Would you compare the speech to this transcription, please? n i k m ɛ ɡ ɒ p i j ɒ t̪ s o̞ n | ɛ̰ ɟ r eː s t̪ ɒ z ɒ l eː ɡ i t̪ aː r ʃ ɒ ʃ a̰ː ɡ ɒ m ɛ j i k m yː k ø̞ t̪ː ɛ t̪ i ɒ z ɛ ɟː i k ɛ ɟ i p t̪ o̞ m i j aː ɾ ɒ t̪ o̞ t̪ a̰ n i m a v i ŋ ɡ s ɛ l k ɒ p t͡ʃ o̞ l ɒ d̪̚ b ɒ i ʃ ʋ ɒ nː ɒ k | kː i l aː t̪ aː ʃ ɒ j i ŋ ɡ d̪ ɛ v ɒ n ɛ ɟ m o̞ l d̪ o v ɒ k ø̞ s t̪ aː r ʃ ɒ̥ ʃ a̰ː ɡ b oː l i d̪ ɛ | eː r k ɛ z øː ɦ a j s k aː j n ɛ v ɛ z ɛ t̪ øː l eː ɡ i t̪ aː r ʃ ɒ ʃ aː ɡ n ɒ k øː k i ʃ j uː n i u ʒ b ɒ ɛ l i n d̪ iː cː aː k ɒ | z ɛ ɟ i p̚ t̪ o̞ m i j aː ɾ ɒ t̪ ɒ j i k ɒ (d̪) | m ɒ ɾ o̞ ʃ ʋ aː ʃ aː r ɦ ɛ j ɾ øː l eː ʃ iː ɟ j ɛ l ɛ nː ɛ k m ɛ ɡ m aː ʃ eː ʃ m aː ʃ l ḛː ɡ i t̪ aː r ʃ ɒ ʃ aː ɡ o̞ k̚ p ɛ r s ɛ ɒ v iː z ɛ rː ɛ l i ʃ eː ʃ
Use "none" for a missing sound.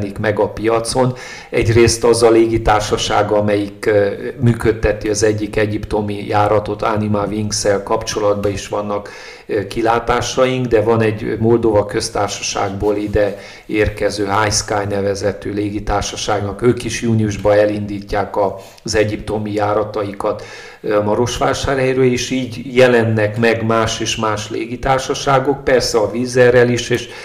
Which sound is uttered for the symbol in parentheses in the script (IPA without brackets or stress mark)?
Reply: t̪